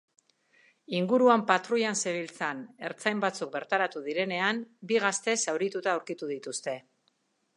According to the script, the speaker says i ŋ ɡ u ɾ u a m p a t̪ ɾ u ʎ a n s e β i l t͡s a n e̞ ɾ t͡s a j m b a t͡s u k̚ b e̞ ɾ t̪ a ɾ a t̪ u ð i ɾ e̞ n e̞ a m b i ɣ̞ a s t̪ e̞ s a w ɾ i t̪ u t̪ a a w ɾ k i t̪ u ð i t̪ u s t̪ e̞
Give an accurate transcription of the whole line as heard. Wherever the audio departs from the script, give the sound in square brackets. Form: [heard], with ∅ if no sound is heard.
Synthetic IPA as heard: i ŋ ɡ u ɾ u a m p a t̪ ɾ u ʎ a n s e β i l t͡s a n e̞ ɾ t͡s a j m b a t͡s u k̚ b e̞ ɾ t̪ a ɾ a t̪ u ð i ɾ e̞ n e̞ a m b i ɣ̞ a s t̪ e̞ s a w ɾ i t̪ u t̪ a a w ɾ k i t̪ u ð i t̪ u s t̪ e̞